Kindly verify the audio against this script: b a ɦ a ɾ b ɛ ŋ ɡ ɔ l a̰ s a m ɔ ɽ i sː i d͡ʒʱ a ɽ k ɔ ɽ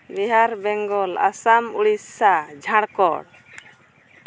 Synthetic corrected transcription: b i ɦ a ɾ b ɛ ŋ ɡ ɔ l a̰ s a m u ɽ i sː a d͡ʒʱ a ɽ k ɔ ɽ